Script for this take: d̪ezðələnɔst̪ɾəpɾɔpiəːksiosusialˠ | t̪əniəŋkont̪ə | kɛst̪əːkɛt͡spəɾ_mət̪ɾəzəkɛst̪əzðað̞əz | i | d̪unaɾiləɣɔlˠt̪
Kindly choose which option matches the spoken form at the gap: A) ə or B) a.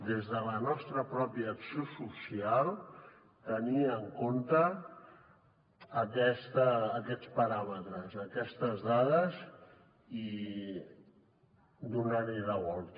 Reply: B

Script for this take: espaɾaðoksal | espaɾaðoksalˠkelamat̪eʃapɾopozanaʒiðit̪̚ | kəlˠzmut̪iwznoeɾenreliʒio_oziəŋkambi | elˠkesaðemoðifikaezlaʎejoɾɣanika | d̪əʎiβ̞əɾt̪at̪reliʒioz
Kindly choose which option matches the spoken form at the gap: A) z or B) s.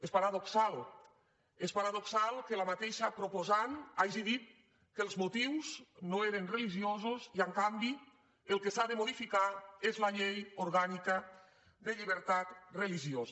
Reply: A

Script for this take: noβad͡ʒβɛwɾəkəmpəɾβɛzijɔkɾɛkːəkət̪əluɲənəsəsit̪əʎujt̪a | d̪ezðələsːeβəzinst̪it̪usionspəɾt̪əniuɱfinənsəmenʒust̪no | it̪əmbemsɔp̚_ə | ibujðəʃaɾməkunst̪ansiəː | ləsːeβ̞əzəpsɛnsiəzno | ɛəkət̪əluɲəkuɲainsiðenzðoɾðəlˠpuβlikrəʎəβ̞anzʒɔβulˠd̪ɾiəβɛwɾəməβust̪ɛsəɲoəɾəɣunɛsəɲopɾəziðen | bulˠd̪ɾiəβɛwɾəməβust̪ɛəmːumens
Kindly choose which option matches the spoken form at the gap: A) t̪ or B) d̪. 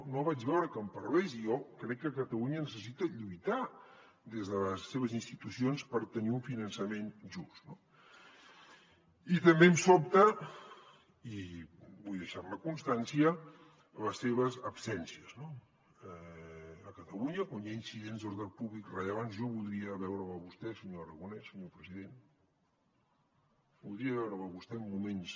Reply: A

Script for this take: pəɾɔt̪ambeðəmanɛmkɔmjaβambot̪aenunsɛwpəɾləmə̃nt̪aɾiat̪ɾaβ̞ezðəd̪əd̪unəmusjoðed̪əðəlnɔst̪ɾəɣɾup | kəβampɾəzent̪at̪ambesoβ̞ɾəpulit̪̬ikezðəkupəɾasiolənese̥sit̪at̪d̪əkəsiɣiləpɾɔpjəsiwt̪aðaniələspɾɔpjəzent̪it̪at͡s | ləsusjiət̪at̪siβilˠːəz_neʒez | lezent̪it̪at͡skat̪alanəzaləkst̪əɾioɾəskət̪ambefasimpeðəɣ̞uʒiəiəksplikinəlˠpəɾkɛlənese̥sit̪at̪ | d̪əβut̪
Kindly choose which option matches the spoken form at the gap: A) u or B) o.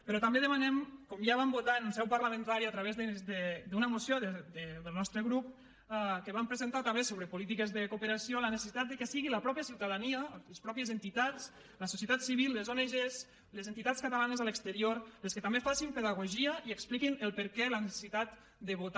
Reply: B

